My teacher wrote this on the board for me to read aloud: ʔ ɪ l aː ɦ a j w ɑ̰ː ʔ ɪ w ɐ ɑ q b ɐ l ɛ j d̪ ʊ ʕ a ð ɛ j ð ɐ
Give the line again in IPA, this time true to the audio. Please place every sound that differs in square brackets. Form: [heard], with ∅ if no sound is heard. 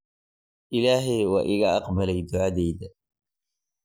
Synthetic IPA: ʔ ɪ l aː ɦ [ɛ] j w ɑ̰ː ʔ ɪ [ɣ] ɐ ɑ q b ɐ l ɛ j d̪ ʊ ʕ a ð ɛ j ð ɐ